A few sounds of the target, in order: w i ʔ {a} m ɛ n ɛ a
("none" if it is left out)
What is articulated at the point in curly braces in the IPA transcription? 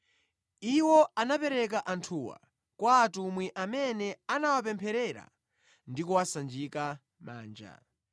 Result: a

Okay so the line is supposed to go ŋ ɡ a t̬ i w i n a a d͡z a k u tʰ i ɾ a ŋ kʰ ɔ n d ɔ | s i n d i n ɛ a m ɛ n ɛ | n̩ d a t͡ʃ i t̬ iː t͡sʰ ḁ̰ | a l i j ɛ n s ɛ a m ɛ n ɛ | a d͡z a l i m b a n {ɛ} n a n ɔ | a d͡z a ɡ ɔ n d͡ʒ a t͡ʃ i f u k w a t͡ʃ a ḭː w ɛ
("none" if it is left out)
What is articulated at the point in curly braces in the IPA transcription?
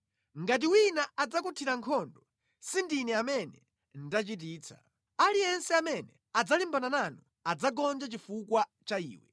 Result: a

